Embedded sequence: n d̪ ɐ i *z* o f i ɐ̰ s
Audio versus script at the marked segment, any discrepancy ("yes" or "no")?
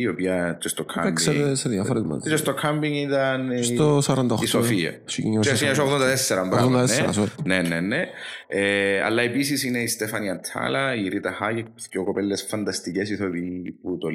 yes